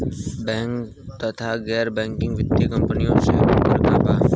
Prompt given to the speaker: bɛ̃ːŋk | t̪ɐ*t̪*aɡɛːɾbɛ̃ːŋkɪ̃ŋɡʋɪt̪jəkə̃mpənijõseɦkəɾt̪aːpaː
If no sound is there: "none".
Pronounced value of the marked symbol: t̪ʰ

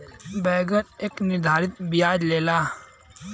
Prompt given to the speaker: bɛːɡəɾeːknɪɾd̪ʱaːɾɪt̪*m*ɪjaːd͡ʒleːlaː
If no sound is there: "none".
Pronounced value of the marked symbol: b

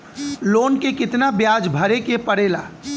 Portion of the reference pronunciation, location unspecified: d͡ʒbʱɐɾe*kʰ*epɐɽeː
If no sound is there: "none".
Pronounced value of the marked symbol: k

